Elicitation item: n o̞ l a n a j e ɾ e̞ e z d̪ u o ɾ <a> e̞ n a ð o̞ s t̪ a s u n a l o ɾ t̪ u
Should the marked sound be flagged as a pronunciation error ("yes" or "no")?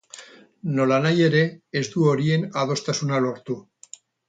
yes